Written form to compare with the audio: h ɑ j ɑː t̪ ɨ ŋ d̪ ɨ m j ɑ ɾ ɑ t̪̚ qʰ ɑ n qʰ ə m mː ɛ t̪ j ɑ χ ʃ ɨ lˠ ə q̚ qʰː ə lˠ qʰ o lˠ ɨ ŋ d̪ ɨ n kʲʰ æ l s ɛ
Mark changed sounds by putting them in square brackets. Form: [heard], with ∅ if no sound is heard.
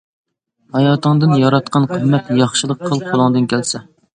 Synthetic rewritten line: h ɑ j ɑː t̪ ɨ ŋ d̪ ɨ [n] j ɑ ɾ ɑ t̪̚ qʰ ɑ n qʰ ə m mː ɛ t̪ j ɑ χ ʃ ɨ lˠ ə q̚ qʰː ə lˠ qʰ o lˠ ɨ ŋ d̪ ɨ n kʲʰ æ l s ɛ